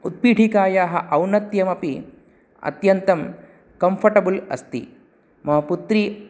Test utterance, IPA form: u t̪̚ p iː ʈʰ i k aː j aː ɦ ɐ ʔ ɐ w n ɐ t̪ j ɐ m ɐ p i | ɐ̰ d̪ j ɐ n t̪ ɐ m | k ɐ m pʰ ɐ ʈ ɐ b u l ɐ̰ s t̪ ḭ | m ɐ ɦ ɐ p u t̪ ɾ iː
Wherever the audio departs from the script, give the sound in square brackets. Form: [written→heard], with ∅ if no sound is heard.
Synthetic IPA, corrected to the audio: u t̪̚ p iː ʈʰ i k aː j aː ɦ ɐ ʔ ɐ w n ɐ t̪ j ɐ m ɐ p i | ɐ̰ [d̪→t̪] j ɐ n t̪ ɐ m | k ɐ m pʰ ɐ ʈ ɐ b u l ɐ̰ s t̪ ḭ | m ɐ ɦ ɐ p u t̪ ɾ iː

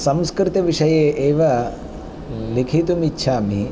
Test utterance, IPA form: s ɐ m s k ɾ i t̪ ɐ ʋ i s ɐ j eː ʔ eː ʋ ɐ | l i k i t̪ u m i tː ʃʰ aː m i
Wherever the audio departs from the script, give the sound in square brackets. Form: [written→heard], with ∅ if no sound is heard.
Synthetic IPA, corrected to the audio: s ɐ m s k ɾ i t̪ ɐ ʋ i [s→ʂ] ɐ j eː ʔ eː ʋ ɐ | l i [k→kʰ] i t̪ u m i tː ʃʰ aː m i

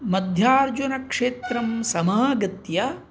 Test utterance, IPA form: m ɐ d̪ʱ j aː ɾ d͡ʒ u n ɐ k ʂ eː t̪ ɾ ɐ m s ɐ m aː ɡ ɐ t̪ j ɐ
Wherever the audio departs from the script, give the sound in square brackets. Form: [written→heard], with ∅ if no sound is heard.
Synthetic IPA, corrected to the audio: m ɐ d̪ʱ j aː ɾ d͡ʒ u n ɐ k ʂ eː t̪ ɾ ɐ m s ɐ m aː ɡ ɐ t̪ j ɐ

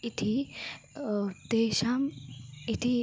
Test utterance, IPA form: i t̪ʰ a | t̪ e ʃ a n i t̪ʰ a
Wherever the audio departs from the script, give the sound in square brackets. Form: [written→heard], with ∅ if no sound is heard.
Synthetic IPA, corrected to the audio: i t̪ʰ [a→i] | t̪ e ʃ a [n→m] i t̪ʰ [a→i]

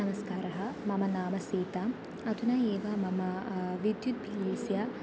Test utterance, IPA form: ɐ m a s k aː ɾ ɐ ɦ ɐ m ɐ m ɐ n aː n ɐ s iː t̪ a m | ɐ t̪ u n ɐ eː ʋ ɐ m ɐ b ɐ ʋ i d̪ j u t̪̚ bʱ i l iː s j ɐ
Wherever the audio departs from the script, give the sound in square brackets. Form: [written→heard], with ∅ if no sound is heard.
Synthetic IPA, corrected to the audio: ɐ m [a→ɐ] s k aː ɾ ɐ ɦ ɐ m ɐ m ɐ n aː [n→m] ɐ s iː t̪ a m | ɐ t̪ u n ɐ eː ʋ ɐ m ɐ [b→m] ɐ ʋ i d̪ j u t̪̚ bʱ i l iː s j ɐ

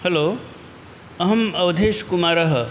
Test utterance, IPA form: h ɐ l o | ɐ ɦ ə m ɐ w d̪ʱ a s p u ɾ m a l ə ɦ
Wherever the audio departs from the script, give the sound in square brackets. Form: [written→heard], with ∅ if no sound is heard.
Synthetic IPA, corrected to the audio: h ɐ l o | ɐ ɦ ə m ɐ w d̪ʱ [a→e] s [p→k] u [ɾ→∅] m a [l→ɾ] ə ɦ

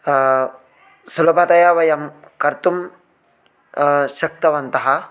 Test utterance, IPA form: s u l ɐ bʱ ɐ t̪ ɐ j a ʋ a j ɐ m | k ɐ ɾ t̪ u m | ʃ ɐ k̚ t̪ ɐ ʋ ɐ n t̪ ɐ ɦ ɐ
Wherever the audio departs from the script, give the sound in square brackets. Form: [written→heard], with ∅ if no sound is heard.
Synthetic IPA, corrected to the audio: s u l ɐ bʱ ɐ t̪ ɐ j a ʋ [a→ɐ] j ɐ m | k ɐ ɾ t̪ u m | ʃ ɐ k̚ t̪ ɐ ʋ ɐ n t̪ ɐ ɦ ɐ

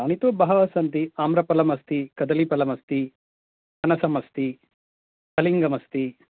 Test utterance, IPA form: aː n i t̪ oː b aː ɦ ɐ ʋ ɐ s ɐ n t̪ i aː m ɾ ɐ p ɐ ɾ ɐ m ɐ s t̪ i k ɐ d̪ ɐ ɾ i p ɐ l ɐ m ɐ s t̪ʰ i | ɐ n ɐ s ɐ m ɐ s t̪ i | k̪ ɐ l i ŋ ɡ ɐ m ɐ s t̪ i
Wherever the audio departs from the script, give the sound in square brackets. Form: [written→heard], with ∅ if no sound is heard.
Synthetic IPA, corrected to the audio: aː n i t̪ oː b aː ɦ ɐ ʋ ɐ s ɐ n t̪ i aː m ɾ ɐ p ɐ [ɾ→l] ɐ m ɐ s t̪ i k ɐ d̪ ɐ [ɾ→l] i p ɐ l ɐ m ɐ s [t̪ʰ→t̪] i | ɐ n ɐ s ɐ m ɐ s t̪ i | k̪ ɐ l i ŋ ɡ ɐ m ɐ s t̪ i

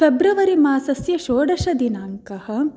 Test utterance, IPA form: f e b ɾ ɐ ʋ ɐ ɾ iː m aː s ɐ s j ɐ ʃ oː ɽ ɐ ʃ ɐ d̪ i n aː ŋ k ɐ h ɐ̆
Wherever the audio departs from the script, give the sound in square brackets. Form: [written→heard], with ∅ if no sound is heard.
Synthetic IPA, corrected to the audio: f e b ɾ ɐ ʋ ɐ ɾ [iː→i] m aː s ɐ s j ɐ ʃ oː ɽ ɐ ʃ ɐ d̪ i n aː ŋ k ɐ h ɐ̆

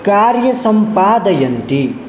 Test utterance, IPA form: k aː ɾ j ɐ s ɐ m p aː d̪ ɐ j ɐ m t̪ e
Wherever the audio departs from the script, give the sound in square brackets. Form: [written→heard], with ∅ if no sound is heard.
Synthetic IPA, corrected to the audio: k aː ɾ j ɐ s ɐ m p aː d̪ ɐ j ɐ [m→n] t̪ [e→i]

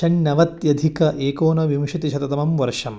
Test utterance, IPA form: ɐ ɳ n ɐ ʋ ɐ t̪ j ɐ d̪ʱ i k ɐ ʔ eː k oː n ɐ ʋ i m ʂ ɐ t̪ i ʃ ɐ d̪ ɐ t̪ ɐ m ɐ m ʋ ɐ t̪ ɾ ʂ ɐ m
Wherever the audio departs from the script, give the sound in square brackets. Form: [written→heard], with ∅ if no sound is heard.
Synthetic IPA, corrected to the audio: ɐ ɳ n ɐ ʋ ɐ t̪ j ɐ d̪ʱ i k ɐ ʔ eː k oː n ɐ ʋ i m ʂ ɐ t̪ i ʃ ɐ [d̪→t̪] ɐ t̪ ɐ m ɐ m ʋ ɐ [t̪→∅] ɾ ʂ ɐ m

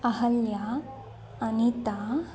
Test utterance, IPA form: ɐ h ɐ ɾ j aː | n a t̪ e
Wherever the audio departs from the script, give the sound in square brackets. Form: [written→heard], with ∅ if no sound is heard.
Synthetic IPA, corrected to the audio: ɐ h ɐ [ɾ→l] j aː | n [a→i] t̪ [e→a]

